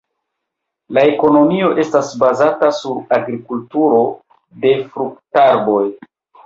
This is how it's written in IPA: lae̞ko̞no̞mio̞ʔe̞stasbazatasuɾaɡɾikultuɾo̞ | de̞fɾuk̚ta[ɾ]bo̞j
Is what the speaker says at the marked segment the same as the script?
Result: yes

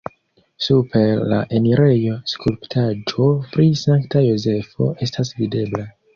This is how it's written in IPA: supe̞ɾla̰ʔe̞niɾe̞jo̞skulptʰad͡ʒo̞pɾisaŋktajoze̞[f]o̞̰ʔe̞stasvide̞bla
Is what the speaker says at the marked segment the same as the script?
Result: yes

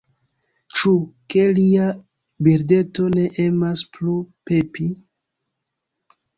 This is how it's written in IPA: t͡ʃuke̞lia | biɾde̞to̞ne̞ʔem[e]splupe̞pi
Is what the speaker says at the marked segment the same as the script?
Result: no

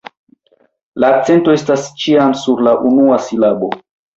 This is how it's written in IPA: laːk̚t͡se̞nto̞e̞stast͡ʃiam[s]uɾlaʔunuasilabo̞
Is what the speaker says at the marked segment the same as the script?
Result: yes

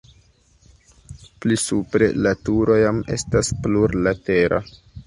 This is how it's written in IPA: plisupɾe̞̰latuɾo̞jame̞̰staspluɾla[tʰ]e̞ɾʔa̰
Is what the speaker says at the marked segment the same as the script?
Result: no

